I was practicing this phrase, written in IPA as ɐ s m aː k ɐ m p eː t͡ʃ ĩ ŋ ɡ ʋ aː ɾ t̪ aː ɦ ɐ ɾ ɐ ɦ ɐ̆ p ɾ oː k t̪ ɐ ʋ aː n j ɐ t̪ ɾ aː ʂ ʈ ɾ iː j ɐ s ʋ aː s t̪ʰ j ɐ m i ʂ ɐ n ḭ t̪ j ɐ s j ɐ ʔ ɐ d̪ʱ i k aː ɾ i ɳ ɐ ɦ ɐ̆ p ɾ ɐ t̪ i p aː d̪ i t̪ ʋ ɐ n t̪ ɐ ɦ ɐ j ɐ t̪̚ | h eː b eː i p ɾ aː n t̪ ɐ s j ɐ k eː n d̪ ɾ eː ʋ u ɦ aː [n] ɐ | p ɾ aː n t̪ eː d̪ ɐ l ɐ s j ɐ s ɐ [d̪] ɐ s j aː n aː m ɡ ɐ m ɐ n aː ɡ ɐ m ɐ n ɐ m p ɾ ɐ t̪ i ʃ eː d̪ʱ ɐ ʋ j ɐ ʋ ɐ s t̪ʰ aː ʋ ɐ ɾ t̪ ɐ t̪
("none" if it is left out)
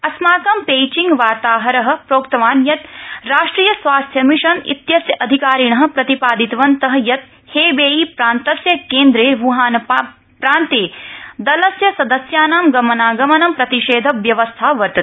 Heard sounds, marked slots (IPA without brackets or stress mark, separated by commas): n, d̪